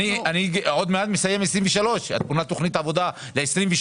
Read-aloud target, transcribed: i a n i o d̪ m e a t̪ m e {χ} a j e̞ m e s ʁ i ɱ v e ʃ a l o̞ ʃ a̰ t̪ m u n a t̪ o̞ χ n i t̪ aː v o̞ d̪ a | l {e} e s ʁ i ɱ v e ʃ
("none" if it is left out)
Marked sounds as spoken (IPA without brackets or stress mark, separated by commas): s, e